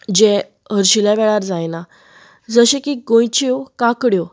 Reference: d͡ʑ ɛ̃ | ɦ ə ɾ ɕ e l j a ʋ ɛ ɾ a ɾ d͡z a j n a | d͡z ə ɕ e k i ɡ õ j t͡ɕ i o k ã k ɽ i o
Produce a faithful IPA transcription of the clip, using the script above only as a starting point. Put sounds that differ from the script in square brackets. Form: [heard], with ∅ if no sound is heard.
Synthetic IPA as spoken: d͡ʑ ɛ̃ | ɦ ə ɾ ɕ [i] l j a ʋ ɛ [ɭ] a ɾ d͡z a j n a | d͡z ə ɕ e k i ɡ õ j t͡ɕ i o k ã k ɽ [j] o